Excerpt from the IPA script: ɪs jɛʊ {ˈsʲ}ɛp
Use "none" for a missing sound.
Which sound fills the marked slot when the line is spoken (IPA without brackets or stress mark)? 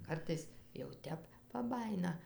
tʲ